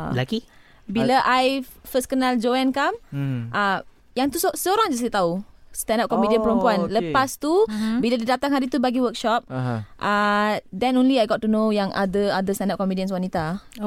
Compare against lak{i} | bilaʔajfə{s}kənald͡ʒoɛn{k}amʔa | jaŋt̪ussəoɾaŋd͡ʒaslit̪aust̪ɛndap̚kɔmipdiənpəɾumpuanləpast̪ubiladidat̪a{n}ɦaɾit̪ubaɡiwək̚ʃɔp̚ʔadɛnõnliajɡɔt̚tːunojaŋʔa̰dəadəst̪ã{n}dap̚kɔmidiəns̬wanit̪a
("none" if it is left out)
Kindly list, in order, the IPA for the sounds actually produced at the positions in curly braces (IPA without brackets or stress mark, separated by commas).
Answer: i, s, k, ŋ, n